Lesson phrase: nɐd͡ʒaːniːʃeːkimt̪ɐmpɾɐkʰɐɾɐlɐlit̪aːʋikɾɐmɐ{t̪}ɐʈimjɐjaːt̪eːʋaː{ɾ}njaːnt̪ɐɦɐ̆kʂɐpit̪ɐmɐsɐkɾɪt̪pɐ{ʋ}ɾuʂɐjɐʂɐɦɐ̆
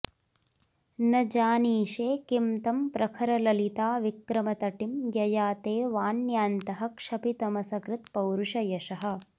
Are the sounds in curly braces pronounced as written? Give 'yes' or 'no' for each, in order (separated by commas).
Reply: yes, no, no